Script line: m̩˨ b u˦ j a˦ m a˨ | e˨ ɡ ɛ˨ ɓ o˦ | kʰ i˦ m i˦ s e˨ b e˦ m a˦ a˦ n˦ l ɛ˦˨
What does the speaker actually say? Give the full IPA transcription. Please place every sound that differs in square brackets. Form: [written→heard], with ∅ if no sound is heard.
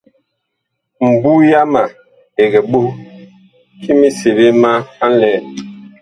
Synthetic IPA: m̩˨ b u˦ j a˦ m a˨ | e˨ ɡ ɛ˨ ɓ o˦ | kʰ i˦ m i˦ s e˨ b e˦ m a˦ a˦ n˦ l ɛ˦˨